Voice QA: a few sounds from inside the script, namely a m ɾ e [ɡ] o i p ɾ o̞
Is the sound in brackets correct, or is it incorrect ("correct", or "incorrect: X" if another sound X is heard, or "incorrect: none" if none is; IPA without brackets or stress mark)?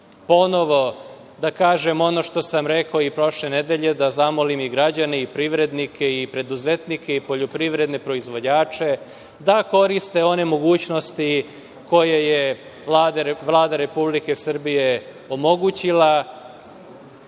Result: incorrect: k